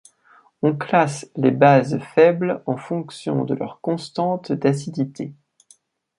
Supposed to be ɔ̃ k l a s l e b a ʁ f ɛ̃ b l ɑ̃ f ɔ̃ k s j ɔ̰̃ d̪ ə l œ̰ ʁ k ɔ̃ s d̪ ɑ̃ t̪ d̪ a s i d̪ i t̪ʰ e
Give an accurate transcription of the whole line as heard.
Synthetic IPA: ɔ̃ k l a s l e b a z f ɛ b l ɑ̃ f ɔ̃ k s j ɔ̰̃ d̪ ə l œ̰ ʁ k ɔ̃ s t̪ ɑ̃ t̪ d̪ a s i d̪ i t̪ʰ e

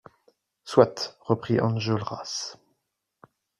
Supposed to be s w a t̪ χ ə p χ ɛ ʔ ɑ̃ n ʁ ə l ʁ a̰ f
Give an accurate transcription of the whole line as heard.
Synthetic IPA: s w a t̪ ʁ ə p χ i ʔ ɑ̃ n ʒ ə l ʁ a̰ s

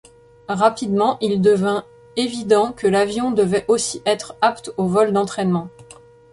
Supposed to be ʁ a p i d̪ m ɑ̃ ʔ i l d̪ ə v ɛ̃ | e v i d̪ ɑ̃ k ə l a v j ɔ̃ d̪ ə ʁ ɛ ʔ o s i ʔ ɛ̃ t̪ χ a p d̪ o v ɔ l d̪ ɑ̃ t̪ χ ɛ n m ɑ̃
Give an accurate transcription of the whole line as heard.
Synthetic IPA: ʁ a p i d̪ m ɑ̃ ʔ i l d̪ ə v ɛ̃ | e v i d̪ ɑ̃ k ə l a v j ɔ̃ d̪ ə v ɛ ʔ o s i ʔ ɛ t̪ χ a p t̪ o v ɔ l d̪ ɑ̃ t̪ χ ɛ n m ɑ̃

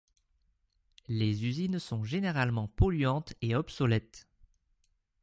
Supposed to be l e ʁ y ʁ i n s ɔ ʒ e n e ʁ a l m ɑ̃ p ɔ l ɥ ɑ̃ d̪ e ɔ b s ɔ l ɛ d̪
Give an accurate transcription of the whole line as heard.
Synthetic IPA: l e z y z i n s ɔ̃ ʒ e n e ʁ a l m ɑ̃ p ɔ l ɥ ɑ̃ t̪ e ɔ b s ɔ l ɛ t̪

